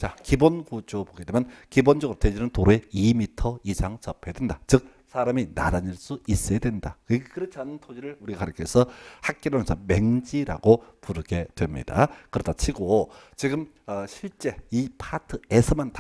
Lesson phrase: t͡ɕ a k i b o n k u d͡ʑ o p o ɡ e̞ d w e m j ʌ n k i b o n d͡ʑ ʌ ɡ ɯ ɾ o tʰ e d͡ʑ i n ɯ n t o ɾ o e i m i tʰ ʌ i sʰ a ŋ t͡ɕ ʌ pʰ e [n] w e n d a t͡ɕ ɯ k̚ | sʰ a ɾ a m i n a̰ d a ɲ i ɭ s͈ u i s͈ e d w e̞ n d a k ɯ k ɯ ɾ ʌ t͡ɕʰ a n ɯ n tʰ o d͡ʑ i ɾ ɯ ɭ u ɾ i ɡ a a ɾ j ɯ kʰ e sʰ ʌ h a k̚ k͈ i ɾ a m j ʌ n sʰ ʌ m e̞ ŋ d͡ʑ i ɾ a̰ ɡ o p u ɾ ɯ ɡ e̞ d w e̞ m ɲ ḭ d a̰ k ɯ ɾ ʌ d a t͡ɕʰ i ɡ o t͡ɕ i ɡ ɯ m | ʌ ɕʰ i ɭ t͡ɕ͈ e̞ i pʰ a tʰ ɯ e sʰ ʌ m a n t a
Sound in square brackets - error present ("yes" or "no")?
yes